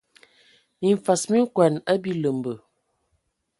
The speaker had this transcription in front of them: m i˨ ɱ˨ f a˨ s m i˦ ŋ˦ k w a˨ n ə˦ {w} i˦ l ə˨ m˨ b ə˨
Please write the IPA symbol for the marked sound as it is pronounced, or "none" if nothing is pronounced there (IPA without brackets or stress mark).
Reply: b